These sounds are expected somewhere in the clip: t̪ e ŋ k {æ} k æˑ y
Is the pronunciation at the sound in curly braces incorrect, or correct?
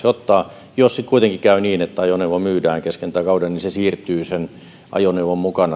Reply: incorrect